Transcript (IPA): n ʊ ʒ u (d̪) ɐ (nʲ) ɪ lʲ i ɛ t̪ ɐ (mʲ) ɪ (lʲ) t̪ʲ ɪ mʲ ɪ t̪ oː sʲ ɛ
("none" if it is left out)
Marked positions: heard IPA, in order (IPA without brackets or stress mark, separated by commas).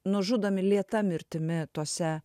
d̪, mʲ, mʲ, ɾʲ